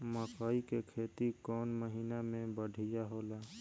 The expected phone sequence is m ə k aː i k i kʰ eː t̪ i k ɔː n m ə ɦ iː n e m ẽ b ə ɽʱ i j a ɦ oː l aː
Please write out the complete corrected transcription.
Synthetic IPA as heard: m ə k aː i k e kʰ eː t̪ i k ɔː n m ə ɦ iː n a m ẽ b ə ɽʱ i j a ɦ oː l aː